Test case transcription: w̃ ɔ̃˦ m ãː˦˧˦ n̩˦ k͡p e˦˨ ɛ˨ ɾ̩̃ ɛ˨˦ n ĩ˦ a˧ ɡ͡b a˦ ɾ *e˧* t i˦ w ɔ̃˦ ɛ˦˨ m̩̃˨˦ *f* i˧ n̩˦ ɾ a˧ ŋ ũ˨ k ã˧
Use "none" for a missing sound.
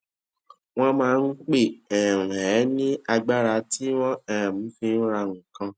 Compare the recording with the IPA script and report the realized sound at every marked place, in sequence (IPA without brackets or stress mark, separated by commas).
a˧, f